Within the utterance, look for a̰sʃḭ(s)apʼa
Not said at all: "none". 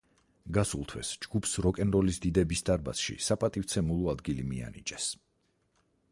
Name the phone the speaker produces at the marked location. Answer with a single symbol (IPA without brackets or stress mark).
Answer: s